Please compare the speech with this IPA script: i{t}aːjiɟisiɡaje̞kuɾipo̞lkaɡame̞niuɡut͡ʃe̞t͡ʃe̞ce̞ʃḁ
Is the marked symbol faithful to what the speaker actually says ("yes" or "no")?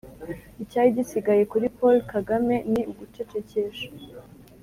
no